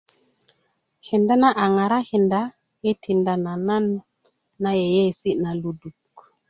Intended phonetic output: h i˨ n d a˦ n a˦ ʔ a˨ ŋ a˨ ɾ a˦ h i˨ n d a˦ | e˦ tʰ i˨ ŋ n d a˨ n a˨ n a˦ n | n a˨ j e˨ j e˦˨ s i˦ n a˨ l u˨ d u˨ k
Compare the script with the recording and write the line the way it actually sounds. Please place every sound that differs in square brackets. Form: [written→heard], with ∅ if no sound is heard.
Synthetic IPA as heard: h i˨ n d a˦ n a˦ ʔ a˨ ŋ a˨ ɾ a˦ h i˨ n d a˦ | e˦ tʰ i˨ [ŋ→∅] n d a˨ n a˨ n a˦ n | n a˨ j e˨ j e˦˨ s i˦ n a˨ l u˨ d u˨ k